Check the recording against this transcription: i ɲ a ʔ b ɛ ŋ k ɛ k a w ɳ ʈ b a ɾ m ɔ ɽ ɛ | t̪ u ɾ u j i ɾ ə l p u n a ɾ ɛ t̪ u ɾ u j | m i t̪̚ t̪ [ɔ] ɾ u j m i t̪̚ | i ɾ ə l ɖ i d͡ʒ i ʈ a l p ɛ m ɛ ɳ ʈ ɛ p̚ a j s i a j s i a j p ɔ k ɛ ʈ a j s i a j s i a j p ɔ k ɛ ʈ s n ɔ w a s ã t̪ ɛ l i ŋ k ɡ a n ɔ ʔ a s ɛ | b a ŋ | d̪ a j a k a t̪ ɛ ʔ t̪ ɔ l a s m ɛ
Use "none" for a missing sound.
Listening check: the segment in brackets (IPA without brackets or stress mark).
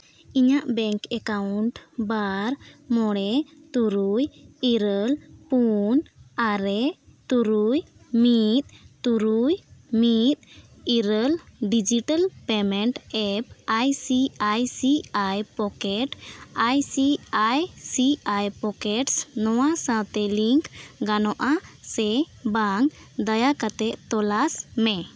u